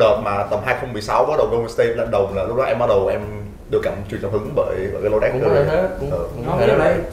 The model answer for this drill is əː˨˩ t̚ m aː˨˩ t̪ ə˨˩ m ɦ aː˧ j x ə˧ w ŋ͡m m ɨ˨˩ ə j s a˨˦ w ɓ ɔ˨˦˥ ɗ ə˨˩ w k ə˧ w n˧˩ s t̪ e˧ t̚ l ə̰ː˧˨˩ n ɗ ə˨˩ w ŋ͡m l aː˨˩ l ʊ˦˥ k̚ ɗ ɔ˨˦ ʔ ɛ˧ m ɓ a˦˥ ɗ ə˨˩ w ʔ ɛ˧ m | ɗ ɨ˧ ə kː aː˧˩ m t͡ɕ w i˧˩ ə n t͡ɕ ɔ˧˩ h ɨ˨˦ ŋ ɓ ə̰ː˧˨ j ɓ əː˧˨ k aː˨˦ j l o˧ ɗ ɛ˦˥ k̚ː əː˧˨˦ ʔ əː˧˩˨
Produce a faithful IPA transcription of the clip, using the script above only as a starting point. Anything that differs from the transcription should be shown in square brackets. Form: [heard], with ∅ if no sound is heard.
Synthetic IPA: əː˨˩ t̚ m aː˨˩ t̪ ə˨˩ m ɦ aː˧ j x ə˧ w ŋ͡m m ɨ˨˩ ə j s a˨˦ w ɓ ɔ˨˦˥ ɗ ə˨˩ w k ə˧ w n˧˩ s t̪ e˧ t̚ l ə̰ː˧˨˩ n ɗ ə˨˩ w ŋ͡m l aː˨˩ l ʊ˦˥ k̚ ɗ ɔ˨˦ ʔ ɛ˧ m ɓ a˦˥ ɗ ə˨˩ w ʔ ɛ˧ m | ɗ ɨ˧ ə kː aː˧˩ m t͡ɕ w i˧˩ ə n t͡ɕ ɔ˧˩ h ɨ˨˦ ŋ ɓ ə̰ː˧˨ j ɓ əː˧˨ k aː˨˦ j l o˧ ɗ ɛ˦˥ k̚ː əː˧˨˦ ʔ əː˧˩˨